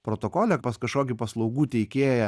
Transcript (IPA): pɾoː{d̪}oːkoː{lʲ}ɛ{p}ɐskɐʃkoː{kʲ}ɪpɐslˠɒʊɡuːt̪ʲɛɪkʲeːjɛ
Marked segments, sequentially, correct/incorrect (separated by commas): incorrect, correct, correct, correct